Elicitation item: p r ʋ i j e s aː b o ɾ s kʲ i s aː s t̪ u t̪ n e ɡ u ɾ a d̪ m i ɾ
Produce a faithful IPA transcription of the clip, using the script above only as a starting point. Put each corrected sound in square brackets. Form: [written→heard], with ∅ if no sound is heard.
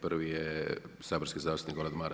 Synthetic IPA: p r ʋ i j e s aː b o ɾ s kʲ i [s→z] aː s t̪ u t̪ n [e→i] ɡ [u→o] ɾ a d̪ m [i→a] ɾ